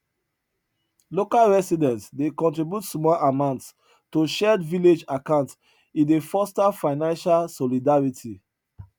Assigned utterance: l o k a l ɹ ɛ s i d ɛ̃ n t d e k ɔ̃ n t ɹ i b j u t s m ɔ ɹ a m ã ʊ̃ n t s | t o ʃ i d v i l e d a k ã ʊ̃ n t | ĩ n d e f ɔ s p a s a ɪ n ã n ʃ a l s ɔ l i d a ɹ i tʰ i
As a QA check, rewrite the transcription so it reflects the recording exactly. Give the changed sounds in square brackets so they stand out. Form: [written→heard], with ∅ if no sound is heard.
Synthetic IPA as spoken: l o k a l ɹ ɛ s i d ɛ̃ n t d e k ɔ̃ n t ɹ i b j u t s m ɔ [ɹ→l] a m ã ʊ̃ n t s | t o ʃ [i→ɛ] d v i l e [d→d͡ʒ] a k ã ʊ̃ n t | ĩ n d e f ɔ s [p→t] a [s→f] a ɪ n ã n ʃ a l s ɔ l i d a ɹ i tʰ i

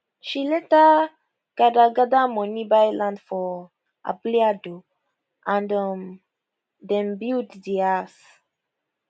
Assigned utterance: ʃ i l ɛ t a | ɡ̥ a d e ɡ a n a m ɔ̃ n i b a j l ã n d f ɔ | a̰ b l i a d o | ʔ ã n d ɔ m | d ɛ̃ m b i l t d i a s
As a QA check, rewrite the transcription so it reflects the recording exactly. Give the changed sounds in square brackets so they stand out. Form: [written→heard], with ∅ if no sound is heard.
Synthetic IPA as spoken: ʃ i l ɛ t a | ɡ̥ a d [e→a] ɡ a [n→d] a m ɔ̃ n i b a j l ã n d f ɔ | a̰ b l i a d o | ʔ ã n d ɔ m | d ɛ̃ m b i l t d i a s

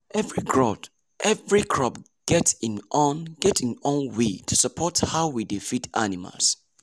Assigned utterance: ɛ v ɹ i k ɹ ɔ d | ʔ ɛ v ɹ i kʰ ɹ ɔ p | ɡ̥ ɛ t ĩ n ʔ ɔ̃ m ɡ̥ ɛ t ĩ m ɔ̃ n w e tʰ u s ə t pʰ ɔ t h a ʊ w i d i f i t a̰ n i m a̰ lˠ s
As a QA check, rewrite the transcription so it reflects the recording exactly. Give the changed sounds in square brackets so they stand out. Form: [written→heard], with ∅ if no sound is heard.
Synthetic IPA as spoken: ɛ v ɹ i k ɹ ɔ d | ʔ ɛ v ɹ i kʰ ɹ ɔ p | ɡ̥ ɛ t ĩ n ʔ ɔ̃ [m→n] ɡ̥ ɛ t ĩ [m→n] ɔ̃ n w e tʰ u s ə [t→∅] pʰ ɔ t h a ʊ w i d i f i t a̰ n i m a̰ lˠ s

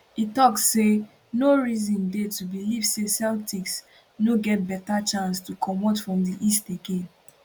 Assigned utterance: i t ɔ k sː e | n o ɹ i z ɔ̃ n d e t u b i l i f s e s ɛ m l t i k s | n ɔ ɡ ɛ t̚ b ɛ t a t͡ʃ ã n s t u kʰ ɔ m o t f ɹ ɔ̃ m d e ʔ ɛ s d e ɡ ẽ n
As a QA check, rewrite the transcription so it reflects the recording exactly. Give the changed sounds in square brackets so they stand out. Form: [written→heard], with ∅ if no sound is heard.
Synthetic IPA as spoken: i t ɔ k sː e | n o ɹ i z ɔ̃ n d e t u b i l i [f→v] s e s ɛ [m→∅] l t i k s | n [ɔ→o] ɡ ɛ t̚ b ɛ t a t͡ʃ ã n s t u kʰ ɔ m o t f ɹ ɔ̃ m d [e→i] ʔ [ɛ→i] s [d→t] e ɡ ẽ n

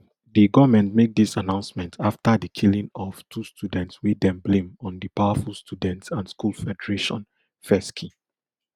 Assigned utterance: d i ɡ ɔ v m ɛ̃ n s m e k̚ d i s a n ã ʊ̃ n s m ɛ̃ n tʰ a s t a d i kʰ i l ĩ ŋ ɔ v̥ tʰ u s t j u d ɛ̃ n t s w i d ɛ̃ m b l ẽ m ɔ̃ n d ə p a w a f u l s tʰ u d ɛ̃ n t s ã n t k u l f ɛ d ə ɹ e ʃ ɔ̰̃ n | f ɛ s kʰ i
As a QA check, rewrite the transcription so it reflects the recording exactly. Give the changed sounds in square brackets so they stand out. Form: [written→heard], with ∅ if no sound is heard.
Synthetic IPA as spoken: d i ɡ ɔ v m ɛ̃ n [s→t] m e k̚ d i s a n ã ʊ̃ n s m ɛ̃ n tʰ a [s→f] t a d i kʰ i l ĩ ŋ ɔ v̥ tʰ u s t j u d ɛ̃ n t s w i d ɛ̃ m b l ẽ m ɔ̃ n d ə p a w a f u l s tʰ u d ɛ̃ n t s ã n [t→s] k u l f ɛ d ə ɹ e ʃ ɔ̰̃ n | f ɛ s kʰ i

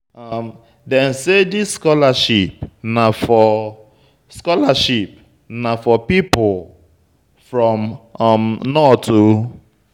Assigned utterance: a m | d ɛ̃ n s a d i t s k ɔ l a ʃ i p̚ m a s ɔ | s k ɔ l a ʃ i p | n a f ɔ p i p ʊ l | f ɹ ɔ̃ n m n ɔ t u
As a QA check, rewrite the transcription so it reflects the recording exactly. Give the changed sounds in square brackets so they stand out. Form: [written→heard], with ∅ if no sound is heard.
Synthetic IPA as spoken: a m | d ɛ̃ n s [a→e] d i [t→s] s k ɔ l a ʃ i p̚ [m→n] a [s→f] ɔ | s k ɔ l a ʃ i p | n a f ɔ p i p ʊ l | f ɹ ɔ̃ [n→m] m n ɔ t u

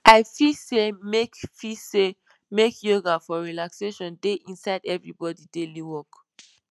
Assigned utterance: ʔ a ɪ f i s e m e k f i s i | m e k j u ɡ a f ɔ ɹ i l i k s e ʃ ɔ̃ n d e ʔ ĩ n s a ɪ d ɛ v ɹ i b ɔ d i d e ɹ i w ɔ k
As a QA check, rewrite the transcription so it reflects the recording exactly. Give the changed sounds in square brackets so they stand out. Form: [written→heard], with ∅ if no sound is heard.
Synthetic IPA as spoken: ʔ a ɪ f i s e m e k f i s [i→e] | m e k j [u→o] ɡ a f ɔ ɹ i l [i→a] k s e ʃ ɔ̃ n d e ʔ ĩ n s a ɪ d ɛ v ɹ i b ɔ d i d e [ɹ→l] i w ɔ k

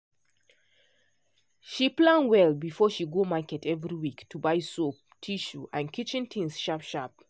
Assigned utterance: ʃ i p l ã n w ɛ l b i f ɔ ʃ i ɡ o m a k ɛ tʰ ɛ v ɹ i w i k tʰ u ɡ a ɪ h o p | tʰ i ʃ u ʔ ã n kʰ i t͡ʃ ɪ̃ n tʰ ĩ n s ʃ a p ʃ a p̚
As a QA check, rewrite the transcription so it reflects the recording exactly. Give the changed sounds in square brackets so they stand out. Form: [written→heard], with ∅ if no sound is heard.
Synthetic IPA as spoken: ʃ i p l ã n w ɛ l b i f ɔ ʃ i ɡ o m a k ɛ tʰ ɛ v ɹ i w i k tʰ u [ɡ→b] a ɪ [h→s] o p | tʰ i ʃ u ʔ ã n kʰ i t͡ʃ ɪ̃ n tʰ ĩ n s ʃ a p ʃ a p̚

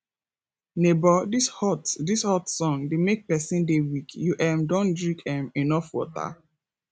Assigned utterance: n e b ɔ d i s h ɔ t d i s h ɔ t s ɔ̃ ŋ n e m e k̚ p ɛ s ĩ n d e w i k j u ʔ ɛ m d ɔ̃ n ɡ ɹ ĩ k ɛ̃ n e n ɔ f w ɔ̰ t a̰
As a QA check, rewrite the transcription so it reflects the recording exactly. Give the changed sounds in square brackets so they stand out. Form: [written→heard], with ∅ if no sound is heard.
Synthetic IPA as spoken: n e b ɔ d i s h ɔ t d i s h ɔ t s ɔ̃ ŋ [n→d] e m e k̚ p ɛ s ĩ n d e w i k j u ʔ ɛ m d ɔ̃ n [ɡ→d] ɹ ĩ k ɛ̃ [n→m] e n ɔ f w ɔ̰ t a̰

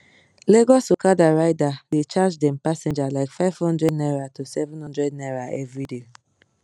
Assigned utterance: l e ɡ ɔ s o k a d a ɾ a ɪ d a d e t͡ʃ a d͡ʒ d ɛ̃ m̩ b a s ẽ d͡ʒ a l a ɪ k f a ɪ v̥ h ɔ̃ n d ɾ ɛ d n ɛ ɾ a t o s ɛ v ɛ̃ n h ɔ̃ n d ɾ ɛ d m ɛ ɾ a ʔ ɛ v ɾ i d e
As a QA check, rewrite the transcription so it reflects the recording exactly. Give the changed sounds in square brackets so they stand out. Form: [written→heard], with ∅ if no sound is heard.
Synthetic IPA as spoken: l e ɡ ɔ s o k a d a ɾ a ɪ d a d e t͡ʃ a d͡ʒ d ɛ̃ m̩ [b→p] a s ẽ d͡ʒ a l a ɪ k f a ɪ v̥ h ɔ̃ n d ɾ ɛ d n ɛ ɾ a t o s ɛ v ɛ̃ n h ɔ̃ n d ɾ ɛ d [m→n] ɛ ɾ a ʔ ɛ v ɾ i d e

